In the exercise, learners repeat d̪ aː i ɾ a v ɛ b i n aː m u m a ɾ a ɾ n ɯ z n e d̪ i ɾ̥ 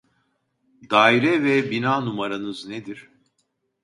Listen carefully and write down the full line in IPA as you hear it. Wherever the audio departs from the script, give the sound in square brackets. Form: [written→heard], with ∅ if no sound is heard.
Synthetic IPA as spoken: d̪ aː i ɾ [a→ɛ] v ɛ b i n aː [m→n] u m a ɾ a [ɾ→∅] n ɯ z n e d̪ i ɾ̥